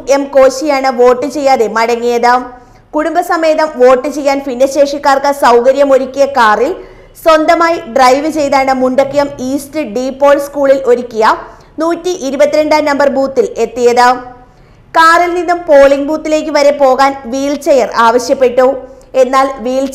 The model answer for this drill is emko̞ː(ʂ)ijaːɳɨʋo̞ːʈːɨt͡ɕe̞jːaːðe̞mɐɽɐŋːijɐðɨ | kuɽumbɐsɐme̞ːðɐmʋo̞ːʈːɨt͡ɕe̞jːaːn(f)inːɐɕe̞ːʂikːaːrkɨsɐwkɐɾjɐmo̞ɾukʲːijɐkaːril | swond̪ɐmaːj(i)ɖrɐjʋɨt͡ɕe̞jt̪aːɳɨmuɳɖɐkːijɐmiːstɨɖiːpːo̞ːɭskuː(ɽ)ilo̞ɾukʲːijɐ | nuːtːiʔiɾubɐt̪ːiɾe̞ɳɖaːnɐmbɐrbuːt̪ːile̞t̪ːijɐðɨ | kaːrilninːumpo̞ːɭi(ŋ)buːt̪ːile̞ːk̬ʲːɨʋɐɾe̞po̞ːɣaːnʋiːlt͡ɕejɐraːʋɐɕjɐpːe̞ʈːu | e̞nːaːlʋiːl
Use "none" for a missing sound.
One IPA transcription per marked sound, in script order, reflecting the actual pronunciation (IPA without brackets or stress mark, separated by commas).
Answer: ɕ, f, i, ɭ, ŋ